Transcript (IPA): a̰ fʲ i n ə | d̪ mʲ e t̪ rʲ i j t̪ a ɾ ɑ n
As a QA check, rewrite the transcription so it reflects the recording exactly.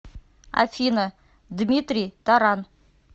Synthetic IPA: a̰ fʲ i n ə | d̪ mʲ i t̪ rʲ i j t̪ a ɾ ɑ n

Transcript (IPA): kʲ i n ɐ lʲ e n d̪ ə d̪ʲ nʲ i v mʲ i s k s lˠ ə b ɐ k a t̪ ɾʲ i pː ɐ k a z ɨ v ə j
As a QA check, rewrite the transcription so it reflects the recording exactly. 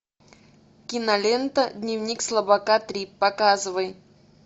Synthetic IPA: kʲ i n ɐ lʲ e n t̪ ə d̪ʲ nʲ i v nʲ i k s lˠ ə b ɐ k a t̪ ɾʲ i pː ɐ k a z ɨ v ə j

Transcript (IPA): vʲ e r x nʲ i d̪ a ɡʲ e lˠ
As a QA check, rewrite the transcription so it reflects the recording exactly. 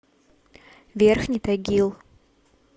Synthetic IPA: vʲ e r x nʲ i t̪ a ɡʲ i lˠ

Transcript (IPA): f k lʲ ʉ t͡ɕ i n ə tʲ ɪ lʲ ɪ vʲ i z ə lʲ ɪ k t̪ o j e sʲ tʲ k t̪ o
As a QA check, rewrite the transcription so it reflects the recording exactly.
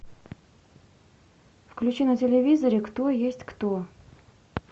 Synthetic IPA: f k lʲ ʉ t͡ɕ i n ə tʲ ɪ lʲ ɪ vʲ i z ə ɾʲ ɪ k t̪ o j e sʲ tʲ k t̪ o

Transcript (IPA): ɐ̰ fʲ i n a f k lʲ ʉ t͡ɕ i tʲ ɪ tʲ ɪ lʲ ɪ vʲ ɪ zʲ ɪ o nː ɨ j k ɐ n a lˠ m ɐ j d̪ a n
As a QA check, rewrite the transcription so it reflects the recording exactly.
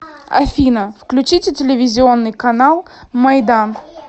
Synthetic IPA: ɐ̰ fʲ i n ə f k lʲ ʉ t͡ɕ i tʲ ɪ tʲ ɪ lʲ ɪ vʲ ɪ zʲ ɪ o nː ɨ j k ɐ n a lˠ m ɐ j d̪ a n

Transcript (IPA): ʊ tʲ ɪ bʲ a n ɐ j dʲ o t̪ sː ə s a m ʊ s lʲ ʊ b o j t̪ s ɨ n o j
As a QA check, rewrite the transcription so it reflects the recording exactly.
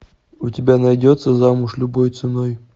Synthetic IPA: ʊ tʲ ɪ bʲ a n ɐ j dʲ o t̪ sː ə z a m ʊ ʂ lʲ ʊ b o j t̪ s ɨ n o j

